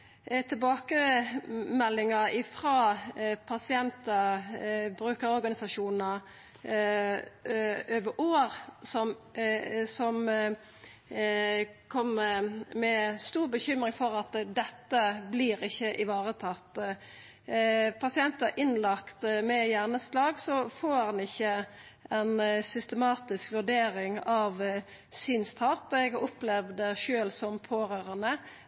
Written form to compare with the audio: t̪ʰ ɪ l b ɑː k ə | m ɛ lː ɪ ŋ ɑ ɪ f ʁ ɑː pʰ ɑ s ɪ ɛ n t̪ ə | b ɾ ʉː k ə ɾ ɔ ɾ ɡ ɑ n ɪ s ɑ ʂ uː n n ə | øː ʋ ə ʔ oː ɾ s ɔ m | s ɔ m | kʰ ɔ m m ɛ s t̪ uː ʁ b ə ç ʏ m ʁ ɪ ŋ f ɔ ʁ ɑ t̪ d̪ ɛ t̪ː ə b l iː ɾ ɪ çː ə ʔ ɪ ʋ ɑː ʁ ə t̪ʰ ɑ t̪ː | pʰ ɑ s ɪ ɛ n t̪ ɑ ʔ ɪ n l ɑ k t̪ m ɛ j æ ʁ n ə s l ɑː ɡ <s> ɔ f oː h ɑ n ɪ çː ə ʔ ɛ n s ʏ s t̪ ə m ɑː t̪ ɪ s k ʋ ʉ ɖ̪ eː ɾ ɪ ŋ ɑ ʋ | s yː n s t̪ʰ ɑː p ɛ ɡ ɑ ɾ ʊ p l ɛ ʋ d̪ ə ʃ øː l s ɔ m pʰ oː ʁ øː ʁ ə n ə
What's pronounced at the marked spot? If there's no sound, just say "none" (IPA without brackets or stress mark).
s